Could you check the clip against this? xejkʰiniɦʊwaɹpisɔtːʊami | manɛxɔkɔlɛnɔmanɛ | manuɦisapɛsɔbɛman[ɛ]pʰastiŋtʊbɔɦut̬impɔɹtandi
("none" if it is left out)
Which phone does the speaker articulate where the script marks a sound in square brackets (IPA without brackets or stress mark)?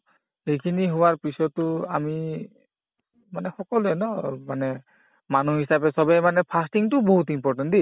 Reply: ɛ